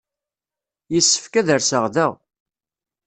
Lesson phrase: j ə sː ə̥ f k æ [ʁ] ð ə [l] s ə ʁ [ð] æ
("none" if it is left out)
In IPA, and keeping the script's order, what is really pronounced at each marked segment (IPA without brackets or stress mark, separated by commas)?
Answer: none, ɾ, ð